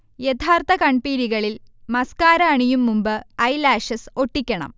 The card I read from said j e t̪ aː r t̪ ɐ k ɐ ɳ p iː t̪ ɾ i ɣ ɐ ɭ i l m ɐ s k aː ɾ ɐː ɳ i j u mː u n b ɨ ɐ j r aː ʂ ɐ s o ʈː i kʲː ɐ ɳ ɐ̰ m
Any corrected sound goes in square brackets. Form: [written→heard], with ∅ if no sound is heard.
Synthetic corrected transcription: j e [t̪→t̪ʰ] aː r t̪ ɐ k ɐ ɳ p iː [t̪→∅] ɾ i ɣ ɐ ɭ i l m ɐ s k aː ɾ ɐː ɳ i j u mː u [n→m] b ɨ ɐ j [r→l] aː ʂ ɐ s o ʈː i kʲː ɐ ɳ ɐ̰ m

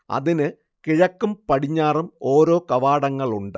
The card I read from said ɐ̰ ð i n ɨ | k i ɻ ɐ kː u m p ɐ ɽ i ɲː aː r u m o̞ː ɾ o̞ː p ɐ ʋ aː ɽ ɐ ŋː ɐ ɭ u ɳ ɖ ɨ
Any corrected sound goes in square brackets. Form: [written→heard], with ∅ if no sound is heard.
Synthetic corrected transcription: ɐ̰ ð i n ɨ | k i ɻ ɐ kː u m p ɐ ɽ i ɲː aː r u m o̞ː ɾ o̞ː [p→k] ɐ ʋ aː ɽ ɐ ŋː ɐ ɭ u ɳ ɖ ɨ

